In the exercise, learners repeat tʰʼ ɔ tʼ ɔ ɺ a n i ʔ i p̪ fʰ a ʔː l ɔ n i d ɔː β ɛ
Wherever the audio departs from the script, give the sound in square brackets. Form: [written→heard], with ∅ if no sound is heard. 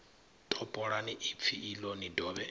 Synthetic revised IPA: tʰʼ ɔ [tʼ→pʼ] ɔ ɺ a n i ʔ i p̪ fʰ [a→i] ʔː l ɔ n i d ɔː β ɛ